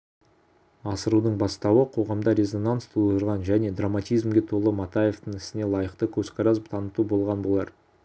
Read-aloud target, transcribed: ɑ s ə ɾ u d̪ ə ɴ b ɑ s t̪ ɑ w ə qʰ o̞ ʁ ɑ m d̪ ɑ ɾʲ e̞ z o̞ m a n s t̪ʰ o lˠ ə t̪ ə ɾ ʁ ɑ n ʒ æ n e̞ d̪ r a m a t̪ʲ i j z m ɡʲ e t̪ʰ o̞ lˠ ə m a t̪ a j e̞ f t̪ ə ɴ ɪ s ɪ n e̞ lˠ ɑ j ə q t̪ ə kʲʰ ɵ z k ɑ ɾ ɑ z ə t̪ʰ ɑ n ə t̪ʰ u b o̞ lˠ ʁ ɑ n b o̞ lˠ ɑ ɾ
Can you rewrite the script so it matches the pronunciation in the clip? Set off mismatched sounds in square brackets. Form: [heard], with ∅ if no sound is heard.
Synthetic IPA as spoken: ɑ s ə ɾ u d̪ ə ɴ b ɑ s t̪ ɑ w ə qʰ o̞ ʁ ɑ m d̪ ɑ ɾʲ e̞ z o̞ [n] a n s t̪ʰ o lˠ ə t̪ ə ɾ ʁ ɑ n ʒ æ n e̞ d̪ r a m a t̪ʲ i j z m ɡʲ e t̪ʰ o̞ lˠ ə m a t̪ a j e̞ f t̪ ə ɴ ɪ s ɪ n e̞ lˠ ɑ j ə q t̪ ə kʲʰ ɵ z k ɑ ɾ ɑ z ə t̪ʰ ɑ n ə [t̪] u b o̞ lˠ ʁ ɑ n b o̞ lˠ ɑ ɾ